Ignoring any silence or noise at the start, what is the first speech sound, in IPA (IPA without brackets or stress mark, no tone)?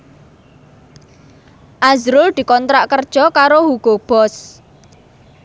ʔ